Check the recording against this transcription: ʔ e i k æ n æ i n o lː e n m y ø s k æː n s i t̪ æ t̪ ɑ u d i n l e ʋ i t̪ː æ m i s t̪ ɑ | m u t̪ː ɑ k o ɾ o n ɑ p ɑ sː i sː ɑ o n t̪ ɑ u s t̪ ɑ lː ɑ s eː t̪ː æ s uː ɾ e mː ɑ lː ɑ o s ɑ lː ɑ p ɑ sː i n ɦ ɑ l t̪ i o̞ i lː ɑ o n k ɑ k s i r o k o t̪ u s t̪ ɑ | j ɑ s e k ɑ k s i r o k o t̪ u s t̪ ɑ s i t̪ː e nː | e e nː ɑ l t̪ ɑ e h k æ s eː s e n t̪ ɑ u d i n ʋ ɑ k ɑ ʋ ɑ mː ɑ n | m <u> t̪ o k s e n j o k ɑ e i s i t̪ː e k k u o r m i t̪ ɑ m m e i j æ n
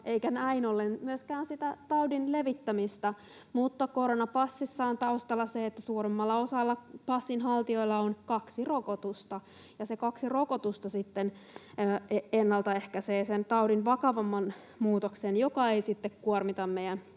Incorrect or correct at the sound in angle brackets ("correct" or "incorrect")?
incorrect